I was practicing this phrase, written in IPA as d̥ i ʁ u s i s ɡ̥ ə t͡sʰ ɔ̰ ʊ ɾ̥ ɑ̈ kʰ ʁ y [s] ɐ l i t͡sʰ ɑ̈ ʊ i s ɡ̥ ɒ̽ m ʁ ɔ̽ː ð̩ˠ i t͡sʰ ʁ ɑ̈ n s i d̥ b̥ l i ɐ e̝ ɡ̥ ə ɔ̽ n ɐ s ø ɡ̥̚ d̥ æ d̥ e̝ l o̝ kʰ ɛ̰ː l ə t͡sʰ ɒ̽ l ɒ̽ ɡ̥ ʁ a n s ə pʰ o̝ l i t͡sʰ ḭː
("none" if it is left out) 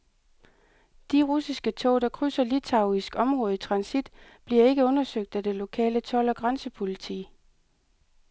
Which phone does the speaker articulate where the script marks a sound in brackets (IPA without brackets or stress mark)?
s